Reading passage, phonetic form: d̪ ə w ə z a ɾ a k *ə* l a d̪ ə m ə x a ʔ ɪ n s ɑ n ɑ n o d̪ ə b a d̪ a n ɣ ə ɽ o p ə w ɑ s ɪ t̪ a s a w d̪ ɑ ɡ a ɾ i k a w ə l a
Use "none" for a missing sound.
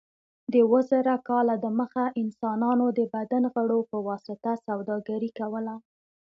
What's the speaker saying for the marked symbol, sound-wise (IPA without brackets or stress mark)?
ɑ